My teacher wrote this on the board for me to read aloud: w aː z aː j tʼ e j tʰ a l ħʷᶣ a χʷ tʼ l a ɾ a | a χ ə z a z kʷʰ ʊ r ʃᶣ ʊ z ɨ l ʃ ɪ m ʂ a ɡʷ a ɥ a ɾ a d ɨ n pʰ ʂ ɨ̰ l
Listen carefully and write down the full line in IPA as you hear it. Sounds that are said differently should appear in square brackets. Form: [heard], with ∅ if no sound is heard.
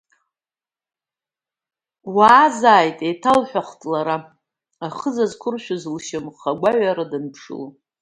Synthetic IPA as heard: w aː z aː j tʼ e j tʰ a l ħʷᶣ a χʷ tʼ l a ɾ a | a χ ə z a z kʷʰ ʊ r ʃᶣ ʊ z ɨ l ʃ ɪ m [χ] a ɡʷ a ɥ a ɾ a d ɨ n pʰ ʂ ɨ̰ l

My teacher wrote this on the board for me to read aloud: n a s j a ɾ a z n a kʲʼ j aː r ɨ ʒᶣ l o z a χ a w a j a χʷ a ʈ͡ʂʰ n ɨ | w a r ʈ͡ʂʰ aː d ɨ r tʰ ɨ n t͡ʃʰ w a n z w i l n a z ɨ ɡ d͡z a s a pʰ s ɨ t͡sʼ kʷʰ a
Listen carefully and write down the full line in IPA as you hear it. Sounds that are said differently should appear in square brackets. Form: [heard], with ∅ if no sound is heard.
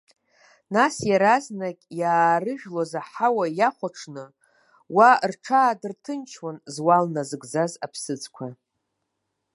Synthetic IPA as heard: n a s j a ɾ a z n a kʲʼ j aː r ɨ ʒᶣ l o z a [ħ] a w a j a χʷ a ʈ͡ʂʰ n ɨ | w a r ʈ͡ʂʰ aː d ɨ r tʰ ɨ n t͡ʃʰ w a n z w [a] l n a z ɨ ɡ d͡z a [z] a pʰ s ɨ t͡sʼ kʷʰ a

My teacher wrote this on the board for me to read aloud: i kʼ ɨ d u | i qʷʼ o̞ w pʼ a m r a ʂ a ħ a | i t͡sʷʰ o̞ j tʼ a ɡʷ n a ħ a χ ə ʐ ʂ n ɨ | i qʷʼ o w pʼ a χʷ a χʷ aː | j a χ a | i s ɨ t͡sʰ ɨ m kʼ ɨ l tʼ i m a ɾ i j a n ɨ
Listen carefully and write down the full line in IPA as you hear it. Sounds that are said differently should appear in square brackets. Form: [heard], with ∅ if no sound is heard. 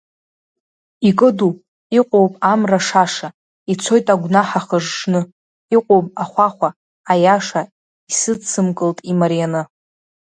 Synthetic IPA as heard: i kʼ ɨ d u | i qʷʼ o̞ w pʼ a m r a ʂ a [ʂ] a | i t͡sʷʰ o̞ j tʼ a ɡʷ n a ħ a χ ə ʐ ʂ n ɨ | i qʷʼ o w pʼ a χʷ a χʷ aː | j a [ʂ] a | i s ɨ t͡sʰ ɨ m kʼ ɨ l tʼ i m a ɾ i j a n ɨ

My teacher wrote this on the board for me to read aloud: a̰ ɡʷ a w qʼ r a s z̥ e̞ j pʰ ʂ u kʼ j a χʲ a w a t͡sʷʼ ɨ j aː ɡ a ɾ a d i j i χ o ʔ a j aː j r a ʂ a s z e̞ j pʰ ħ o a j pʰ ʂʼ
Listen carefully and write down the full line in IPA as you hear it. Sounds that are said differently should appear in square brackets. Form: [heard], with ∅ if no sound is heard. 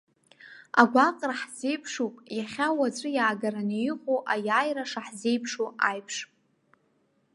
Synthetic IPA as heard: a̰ ɡʷ a [∅] qʼ r a [ħ] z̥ e̞ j pʰ ʂ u [pʼ] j a χʲ a w a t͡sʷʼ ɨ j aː ɡ a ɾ a [n] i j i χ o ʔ a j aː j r a ʂ a [ħ] z e̞ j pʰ [ʂ] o a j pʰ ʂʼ

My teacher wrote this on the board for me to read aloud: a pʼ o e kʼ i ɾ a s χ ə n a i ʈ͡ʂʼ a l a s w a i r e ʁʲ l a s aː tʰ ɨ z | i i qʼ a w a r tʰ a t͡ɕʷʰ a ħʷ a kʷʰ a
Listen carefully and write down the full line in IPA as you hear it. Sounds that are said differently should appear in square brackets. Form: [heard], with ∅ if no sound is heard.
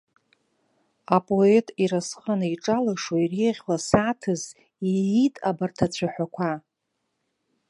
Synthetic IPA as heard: a pʼ o e [tʼ] i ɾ a s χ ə n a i ʈ͡ʂʼ a l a [ʂ] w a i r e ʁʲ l a s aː tʰ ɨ z | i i [tʼ] a [b] a r tʰ a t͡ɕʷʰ a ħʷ a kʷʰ a

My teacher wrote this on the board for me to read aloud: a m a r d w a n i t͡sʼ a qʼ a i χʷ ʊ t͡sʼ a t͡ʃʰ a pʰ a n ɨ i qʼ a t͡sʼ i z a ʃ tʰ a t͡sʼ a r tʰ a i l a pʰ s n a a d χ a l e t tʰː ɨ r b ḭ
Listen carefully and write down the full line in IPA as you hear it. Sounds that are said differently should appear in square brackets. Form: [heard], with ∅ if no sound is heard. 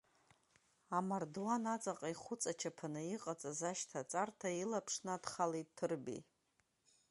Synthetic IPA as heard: a m a r d w a n [a] t͡sʼ a qʼ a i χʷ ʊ t͡sʼ a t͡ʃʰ a pʰ a n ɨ i qʼ a t͡sʼ [a] z a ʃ tʰ a t͡sʼ a r tʰ a i l a pʰ [ʂ] n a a d χ a l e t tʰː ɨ r b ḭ

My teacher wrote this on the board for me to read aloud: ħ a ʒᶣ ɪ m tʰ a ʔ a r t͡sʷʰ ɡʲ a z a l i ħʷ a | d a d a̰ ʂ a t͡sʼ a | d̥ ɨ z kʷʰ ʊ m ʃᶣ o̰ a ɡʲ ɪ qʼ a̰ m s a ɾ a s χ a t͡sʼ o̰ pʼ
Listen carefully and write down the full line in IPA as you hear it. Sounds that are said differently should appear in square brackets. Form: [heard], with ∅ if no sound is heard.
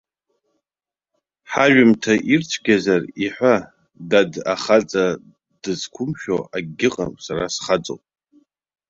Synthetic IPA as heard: ħ a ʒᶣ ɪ m tʰ a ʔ [i] r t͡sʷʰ ɡʲ a z a [r] i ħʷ a | d a d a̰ [χ] a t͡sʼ a | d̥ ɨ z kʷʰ ʊ m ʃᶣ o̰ a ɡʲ ɪ qʼ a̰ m s a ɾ a s χ a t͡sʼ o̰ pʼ

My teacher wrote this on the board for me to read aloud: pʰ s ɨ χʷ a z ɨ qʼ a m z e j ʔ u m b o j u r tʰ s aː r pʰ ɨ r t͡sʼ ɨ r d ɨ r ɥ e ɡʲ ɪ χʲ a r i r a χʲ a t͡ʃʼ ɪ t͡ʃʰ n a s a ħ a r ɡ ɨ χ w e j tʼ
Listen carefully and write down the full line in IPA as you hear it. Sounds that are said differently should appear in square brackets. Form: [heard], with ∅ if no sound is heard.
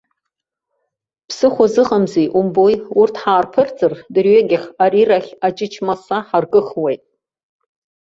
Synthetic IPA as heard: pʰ s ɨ χʷ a z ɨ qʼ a m z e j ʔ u m b o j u r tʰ [ħ] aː r pʰ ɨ r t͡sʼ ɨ r d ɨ r ɥ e ɡʲ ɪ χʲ a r i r a χʲ a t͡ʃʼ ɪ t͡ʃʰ [m] a s a ħ a r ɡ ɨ χ w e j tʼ

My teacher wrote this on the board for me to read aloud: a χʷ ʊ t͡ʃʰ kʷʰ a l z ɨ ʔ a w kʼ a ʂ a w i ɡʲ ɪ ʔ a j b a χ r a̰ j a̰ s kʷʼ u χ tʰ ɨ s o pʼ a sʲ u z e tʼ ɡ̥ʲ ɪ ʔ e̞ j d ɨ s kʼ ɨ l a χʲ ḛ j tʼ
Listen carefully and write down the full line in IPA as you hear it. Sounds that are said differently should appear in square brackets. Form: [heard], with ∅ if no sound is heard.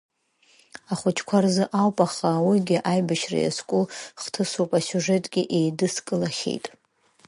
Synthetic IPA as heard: a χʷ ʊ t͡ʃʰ kʷʰ a [r] z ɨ ʔ a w [pʼ] a [χ] a w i ɡʲ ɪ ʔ a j b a [ʃ] r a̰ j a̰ s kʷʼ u χ tʰ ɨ s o pʼ a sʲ u [ʐ] e tʼ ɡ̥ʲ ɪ ʔ e̞ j d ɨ s kʼ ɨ l a χʲ ḛ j tʼ

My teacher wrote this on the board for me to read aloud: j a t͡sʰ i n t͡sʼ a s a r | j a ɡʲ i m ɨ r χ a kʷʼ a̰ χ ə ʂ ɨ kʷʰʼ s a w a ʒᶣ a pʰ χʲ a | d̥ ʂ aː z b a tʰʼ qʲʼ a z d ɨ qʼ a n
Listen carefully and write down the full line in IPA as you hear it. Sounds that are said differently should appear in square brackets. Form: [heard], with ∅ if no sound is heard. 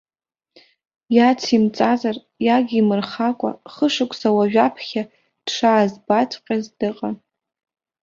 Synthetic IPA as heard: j a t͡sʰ i [m] t͡sʼ a [z] a r | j a ɡʲ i m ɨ r χ a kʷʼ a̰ χ ə ʂ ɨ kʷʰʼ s a w a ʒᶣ a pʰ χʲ a | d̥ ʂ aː z b a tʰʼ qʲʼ a z d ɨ qʼ a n

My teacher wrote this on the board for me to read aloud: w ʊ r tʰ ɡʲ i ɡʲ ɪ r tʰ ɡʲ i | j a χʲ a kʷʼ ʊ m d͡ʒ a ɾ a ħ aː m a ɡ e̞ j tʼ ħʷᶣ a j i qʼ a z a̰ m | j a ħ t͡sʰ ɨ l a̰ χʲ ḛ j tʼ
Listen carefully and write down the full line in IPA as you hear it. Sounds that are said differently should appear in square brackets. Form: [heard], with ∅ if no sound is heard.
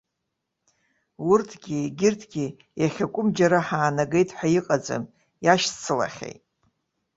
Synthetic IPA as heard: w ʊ r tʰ ɡʲ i ɡʲ ɪ r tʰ ɡʲ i | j a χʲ a kʷʼ ʊ m d͡ʒ a ɾ a ħ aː [n] a ɡ e̞ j tʼ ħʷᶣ a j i qʼ a [d͡z] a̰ m | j a [ʃ] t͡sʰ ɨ l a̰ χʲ ḛ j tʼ

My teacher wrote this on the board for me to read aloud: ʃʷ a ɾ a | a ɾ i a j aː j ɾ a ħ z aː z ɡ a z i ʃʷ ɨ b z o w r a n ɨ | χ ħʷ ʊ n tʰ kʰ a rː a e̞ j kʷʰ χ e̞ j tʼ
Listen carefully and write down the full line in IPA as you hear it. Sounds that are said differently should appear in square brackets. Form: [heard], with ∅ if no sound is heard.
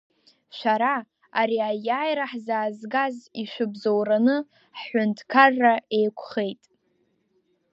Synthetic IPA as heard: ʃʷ a ɾ a | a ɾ i a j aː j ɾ a ħ z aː z ɡ a z i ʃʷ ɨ b z o w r a n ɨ | [ħ] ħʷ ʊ n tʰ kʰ a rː a e̞ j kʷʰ χ e̞ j tʼ

